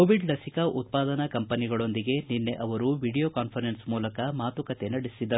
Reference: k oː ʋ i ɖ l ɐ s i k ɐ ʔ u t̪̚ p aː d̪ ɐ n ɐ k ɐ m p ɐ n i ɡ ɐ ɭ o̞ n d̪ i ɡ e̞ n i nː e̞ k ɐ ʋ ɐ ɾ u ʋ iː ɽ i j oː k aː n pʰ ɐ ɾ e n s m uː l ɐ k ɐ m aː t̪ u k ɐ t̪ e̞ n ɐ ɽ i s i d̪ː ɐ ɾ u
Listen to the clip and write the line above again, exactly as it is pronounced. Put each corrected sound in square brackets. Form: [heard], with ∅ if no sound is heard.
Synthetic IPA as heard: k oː ʋ i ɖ l ɐ s i k ɐ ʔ u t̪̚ p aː d̪ ɐ n ɐ k ɐ m p ɐ n i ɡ ɐ ɭ o̞ n d̪ i ɡ e̞ n i nː e̞ [ʔ] ɐ ʋ ɐ ɾ u ʋ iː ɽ i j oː k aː n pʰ ɐ ɾ e n s m uː l ɐ k ɐ m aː t̪ u k ɐ t̪ e̞ n ɐ ɽ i s i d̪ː ɐ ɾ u

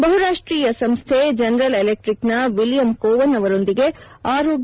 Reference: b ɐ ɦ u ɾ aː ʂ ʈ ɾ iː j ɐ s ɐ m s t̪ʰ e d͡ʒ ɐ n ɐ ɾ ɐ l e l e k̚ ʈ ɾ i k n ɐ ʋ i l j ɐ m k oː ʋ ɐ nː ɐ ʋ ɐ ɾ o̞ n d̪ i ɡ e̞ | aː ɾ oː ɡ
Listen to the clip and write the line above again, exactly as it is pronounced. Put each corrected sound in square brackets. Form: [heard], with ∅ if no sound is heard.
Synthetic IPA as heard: b ɐ ɦ u ɾ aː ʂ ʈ ɾ iː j ɐ s ɐ m s t̪ʰ e d͡ʒ ɐ n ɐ ɾ ɐ l e l e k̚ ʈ ɾ i k n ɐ ʋ i l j ɐ m k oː ʋ ɐ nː ɐ ʋ ɐ ɾ o̞ n d̪ i ɡ e̞ | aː ɾ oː ɡ

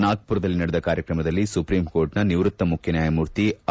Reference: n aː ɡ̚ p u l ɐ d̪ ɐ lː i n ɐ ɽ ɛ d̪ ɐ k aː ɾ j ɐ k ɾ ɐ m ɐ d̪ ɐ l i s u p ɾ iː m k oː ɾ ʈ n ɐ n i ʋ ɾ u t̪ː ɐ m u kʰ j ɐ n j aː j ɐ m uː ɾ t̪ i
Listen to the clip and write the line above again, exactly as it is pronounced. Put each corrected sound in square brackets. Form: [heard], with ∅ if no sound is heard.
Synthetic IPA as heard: n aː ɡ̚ p u [ɾ] ɐ d̪ ɐ lː i n ɐ ɽ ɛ d̪ ɐ k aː ɾ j ɐ k ɾ ɐ m ɐ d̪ ɐ [lː] i s u p ɾ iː m k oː ɾ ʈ n ɐ n i ʋ ɾ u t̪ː ɐ m u kʰ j ɐ n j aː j ɐ m uː ɾ t̪ i

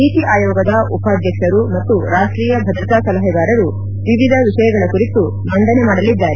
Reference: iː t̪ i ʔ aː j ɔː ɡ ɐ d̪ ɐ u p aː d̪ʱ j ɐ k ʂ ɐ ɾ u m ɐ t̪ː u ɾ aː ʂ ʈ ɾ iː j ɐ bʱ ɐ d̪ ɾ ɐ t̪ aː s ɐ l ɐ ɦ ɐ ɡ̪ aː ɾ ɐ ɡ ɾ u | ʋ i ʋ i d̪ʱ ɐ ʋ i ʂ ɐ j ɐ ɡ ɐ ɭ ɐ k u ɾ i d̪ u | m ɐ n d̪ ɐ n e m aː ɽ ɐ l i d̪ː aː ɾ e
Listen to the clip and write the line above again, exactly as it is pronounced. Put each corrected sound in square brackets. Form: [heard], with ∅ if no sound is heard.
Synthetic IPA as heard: iː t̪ i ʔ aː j ɔː ɡ ɐ d̪ ɐ u p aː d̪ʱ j ɐ k ʂ ɐ ɾ u m ɐ t̪ː u ɾ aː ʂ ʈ ɾ iː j ɐ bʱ ɐ d̪ ɾ ɐ t̪ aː s ɐ l ɐ ɦ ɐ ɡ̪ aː ɾ ɐ [∅] ɾ u | ʋ i ʋ i d̪ʱ ɐ ʋ i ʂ ɐ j ɐ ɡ ɐ ɭ ɐ k u ɾ i [t̪] u | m ɐ n d̪ ɐ n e m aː ɽ ɐ l i d̪ː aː ɾ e

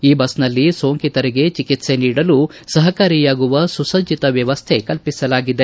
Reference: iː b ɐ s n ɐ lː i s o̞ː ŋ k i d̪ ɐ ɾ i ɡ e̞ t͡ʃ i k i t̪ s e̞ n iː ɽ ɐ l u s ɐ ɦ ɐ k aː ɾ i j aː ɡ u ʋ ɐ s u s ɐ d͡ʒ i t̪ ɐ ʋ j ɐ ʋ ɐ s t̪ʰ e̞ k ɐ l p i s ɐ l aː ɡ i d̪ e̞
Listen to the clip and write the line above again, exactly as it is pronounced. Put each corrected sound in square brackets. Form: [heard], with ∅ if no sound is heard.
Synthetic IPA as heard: iː b ɐ s n ɐ lː i s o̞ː ŋ k i [t̪] ɐ ɾ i ɡ e̞ t͡ʃ i k i t̪ s e̞ n iː ɽ ɐ l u s ɐ ɦ ɐ k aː ɾ i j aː ɡ u ʋ ɐ s u s ɐ d͡ʒ i t̪ ɐ ʋ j ɐ ʋ ɐ s t̪ʰ e̞ k ɐ l p i s ɐ l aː ɡ i d̪ e̞

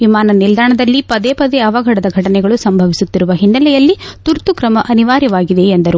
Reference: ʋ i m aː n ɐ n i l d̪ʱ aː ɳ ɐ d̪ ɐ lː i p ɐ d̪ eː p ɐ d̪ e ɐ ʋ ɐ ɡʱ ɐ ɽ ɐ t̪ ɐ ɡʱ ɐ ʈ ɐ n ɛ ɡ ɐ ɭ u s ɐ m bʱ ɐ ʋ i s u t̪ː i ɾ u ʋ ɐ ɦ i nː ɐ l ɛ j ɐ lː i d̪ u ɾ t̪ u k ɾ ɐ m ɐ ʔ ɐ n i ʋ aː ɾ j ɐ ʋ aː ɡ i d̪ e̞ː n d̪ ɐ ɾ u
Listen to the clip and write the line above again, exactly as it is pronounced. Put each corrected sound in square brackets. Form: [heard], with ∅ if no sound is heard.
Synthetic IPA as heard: ʋ i m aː n ɐ n i l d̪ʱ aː ɳ ɐ d̪ ɐ lː i p ɐ d̪ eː p ɐ d̪ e ɐ ʋ ɐ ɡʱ ɐ ɽ ɐ [d̪] ɐ ɡʱ ɐ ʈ ɐ n ɛ ɡ ɐ ɭ u s ɐ m bʱ ɐ ʋ i s u t̪ː i ɾ u ʋ ɐ ɦ i nː ɐ l ɛ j ɐ lː i [t̪] u ɾ t̪ u k ɾ ɐ m ɐ ʔ ɐ n i ʋ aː ɾ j ɐ ʋ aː ɡ i d̪ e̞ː n d̪ ɐ ɾ u

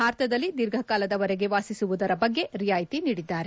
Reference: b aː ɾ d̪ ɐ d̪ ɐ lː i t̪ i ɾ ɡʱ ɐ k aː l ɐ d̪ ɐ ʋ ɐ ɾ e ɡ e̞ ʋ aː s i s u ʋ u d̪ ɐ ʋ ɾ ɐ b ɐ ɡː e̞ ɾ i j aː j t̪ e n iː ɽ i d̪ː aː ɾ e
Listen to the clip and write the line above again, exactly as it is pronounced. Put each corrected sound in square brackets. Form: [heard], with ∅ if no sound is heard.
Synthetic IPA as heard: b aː ɾ [t̪] ɐ d̪ ɐ lː i [d̪] i ɾ ɡʱ ɐ k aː l ɐ d̪ ɐ ʋ ɐ ɾ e ɡ e̞ ʋ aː s i s u ʋ u d̪ ɐ [∅] ɾ ɐ b ɐ ɡː e̞ ɾ i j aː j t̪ [i] n iː ɽ i d̪ː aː ɾ e

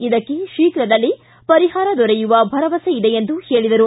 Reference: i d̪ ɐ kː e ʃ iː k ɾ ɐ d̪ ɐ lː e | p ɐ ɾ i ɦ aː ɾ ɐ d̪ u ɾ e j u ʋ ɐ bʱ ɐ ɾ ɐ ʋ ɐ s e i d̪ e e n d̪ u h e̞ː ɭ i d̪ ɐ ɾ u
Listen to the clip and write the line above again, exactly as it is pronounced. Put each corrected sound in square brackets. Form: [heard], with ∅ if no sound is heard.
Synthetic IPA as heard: i d̪ ɐ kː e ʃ iː k ɾ ɐ d̪ ɐ lː [i] | p ɐ ɾ i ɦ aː ɾ ɐ d̪ [ɔ] ɾ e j u ʋ ɐ bʱ ɐ ɾ ɐ ʋ ɐ s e i d̪ e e n d̪ u h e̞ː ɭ i d̪ ɐ ɾ u

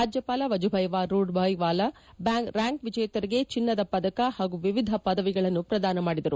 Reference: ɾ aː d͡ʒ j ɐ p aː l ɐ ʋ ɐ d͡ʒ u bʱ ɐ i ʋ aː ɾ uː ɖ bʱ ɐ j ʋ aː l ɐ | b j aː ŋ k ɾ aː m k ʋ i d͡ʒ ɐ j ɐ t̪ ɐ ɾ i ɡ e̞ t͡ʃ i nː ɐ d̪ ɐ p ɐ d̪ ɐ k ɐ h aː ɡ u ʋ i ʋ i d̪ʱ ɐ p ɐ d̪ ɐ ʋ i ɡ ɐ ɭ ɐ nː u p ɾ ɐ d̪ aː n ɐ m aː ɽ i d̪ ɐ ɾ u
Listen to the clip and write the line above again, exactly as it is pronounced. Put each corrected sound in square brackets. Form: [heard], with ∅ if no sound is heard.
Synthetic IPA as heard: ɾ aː d͡ʒ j ɐ p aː l ɐ ʋ ɐ d͡ʒ u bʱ ɐ [j] ʋ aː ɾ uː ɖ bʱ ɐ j ʋ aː l ɐ | b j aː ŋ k ɾ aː [ŋ] k ʋ i d͡ʒ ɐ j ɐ t̪ ɐ ɾ i ɡ e̞ t͡ʃ i nː ɐ d̪ ɐ p ɐ d̪ ɐ k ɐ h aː ɡ u ʋ i ʋ i d̪ʱ ɐ p ɐ d̪ ɐ ʋ i ɡ ɐ ɭ ɐ nː u p ɾ ɐ d̪ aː n ɐ m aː ɽ i d̪ ɐ ɾ u

